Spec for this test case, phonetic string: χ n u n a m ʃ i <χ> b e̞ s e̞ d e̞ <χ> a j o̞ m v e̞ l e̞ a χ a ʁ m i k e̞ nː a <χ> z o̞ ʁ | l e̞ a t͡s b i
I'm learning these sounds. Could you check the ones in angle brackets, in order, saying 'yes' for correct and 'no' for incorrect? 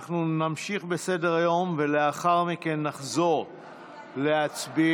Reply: yes, no, yes

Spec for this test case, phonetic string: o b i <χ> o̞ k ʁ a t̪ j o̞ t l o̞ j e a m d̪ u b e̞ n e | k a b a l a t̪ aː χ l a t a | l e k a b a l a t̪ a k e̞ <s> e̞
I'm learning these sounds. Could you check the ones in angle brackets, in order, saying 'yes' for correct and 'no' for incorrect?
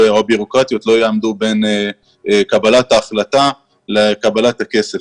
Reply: no, yes

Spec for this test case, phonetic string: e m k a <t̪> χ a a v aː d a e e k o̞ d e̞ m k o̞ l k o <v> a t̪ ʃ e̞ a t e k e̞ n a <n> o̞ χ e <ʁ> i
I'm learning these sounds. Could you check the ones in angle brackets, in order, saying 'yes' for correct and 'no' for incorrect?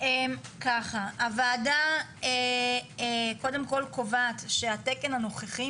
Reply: no, yes, yes, no

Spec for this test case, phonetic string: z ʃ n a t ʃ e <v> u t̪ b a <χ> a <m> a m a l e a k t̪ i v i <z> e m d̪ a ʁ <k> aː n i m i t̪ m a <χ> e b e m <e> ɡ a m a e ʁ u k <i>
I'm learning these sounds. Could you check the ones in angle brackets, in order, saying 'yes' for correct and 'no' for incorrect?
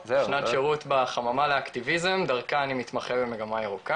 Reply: no, yes, yes, yes, yes, yes, yes, no

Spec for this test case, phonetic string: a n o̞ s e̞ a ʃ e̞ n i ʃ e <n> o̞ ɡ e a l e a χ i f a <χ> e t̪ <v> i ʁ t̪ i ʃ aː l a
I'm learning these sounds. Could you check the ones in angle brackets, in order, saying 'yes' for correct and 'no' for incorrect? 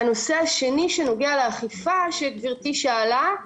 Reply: yes, no, yes

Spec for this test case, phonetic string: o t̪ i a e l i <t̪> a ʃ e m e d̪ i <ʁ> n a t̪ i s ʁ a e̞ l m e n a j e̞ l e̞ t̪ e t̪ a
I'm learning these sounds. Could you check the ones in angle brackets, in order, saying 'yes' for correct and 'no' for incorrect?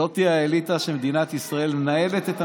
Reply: yes, no

